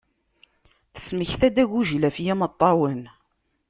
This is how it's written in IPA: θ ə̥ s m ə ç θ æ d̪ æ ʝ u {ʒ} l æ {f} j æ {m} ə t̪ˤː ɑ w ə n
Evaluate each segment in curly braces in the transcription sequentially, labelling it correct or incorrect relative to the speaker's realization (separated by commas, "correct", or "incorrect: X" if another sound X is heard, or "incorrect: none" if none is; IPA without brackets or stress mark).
correct, correct, correct